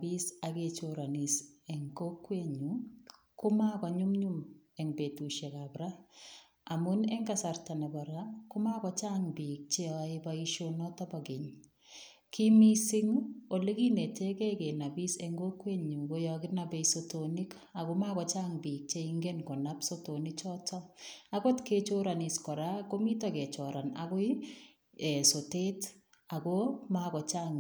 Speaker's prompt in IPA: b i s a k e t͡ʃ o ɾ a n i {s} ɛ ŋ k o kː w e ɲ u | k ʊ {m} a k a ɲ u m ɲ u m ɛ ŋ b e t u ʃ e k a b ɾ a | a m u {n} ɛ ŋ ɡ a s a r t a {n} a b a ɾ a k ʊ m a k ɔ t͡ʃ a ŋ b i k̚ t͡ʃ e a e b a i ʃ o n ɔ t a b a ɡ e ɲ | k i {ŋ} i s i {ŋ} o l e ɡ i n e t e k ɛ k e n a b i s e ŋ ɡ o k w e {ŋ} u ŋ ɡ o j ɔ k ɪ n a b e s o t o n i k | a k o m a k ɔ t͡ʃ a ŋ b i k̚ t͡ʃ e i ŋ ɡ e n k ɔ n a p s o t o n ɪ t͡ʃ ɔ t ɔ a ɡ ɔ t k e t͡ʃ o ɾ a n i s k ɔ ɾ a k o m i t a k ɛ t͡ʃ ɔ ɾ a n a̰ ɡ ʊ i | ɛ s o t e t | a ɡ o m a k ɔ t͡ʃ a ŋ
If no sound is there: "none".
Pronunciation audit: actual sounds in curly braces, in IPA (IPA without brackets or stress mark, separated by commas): s, m, n, n, m, ŋ, ɲ